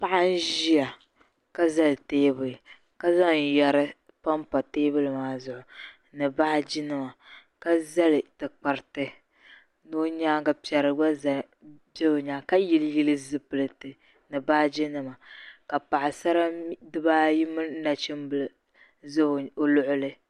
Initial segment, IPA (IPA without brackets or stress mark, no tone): p